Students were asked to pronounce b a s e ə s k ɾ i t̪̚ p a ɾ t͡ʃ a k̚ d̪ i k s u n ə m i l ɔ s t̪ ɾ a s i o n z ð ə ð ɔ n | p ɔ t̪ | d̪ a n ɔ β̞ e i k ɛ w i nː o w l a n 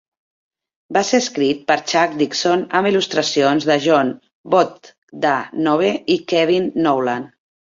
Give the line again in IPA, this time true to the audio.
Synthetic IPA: b a s e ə s k ɾ i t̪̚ p ə ɾ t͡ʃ a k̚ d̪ i k s o n ə m i l u s t̪ ɾ ə s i o n z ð ə ʒ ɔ n | b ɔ t̪ | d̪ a n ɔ β̞ e i k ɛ β i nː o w l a n